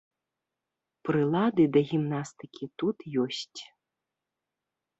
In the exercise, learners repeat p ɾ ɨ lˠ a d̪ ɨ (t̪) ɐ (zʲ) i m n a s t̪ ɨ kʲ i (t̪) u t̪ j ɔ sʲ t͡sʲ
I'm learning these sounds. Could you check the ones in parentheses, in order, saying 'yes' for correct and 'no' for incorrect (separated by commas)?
no, no, yes